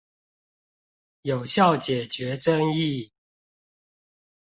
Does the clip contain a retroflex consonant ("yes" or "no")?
yes